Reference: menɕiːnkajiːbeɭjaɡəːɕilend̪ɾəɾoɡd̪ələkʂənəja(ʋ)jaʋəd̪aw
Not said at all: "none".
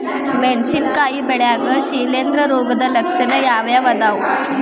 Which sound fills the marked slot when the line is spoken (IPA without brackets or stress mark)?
ʋ